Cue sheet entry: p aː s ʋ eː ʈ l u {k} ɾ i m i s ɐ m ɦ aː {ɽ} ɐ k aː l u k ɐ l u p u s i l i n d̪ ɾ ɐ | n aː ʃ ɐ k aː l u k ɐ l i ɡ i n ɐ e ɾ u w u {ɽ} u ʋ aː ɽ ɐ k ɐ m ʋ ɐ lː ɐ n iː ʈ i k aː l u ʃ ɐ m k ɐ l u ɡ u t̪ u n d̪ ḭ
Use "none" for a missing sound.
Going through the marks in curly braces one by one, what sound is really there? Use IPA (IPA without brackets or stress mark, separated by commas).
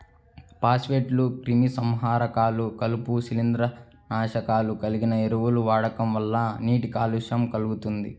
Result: k, ɾ, l